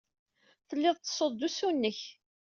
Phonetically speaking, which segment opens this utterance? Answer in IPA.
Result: θ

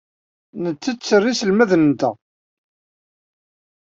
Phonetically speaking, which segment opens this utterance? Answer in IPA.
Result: n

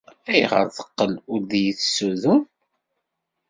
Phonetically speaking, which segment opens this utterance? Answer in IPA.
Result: æ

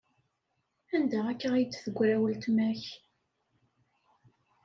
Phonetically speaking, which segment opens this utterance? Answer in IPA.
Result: æ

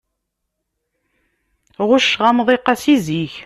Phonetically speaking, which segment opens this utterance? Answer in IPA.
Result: ʁ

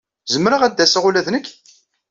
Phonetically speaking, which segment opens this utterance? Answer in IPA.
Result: z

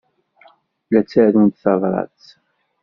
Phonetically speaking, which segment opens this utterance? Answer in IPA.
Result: l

